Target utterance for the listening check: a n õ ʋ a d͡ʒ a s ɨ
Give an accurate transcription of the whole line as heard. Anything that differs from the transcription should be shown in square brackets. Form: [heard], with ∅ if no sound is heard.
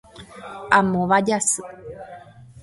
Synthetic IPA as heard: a [m] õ ʋ a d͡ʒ a s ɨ